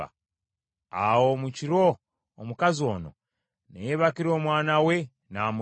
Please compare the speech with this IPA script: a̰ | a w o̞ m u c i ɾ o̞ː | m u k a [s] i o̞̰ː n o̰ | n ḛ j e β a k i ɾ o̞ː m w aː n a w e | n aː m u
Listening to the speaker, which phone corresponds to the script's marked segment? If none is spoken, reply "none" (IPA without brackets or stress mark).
z